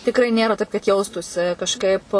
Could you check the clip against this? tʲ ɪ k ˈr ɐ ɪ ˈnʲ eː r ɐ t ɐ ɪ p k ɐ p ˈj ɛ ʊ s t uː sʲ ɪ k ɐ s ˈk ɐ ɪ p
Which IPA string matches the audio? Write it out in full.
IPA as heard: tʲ ɪ k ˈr ɐ ɪ ˈnʲ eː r ɐ t ɐ ɪ p k ɐ t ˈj ɛ ʊ s t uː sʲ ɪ k ɐ ʃ ˈk ɐ ɪ p